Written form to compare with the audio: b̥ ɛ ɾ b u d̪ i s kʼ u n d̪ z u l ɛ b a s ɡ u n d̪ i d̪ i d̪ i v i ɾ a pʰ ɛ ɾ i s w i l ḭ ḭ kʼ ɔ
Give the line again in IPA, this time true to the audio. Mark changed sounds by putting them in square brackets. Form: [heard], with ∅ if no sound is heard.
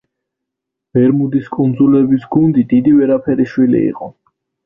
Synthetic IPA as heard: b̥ ɛ ɾ [m] u d̪ i s kʼ u n d̪ z u l ɛ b [i] s ɡ u n d̪ i d̪ i d̪ i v [ɛ] ɾ a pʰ ɛ ɾ i [ʃ] w i l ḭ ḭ [qʼ] ɔ